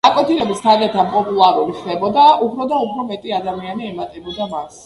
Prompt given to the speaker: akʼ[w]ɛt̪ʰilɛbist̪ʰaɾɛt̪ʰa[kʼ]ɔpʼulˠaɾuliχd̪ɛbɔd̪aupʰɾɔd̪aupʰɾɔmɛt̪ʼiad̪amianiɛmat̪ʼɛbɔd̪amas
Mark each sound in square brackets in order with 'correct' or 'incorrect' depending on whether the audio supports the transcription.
correct, incorrect

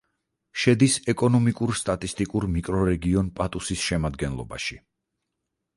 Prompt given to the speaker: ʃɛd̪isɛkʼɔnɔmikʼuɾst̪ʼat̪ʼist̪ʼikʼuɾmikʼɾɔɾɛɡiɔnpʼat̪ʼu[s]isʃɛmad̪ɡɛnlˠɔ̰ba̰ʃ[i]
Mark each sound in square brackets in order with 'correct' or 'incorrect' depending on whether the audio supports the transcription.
correct, correct

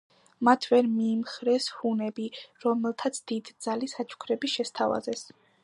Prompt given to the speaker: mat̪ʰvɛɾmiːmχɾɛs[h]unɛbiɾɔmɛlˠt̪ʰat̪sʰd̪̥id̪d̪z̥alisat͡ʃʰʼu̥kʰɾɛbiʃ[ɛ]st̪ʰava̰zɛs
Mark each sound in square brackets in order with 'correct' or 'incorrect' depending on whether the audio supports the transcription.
correct, correct

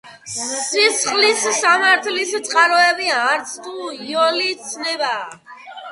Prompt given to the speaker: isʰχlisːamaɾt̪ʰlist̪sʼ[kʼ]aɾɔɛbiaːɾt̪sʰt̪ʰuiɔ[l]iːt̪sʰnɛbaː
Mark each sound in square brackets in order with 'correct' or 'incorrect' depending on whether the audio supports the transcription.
incorrect, correct

